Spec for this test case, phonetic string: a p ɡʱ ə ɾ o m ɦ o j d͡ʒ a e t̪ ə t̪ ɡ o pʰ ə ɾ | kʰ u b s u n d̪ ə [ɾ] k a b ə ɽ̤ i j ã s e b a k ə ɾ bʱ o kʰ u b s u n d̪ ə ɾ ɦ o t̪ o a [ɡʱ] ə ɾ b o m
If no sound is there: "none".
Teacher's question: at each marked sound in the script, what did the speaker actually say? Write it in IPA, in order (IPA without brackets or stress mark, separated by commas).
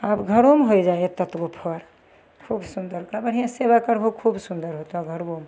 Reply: ɾ, ɡʱ